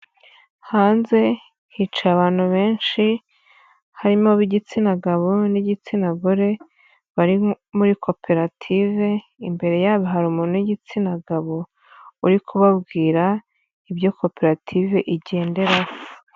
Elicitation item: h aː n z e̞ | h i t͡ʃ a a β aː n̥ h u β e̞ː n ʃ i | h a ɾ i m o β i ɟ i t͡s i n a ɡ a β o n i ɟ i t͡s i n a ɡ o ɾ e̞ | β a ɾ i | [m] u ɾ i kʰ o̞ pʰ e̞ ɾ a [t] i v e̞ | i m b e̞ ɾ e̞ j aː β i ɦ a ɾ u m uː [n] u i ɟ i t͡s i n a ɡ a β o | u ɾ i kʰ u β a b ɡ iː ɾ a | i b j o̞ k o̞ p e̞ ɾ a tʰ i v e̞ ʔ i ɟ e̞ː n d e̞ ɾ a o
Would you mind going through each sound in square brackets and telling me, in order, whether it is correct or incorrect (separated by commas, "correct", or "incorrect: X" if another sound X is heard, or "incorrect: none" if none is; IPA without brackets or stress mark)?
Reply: correct, incorrect: tʰ, correct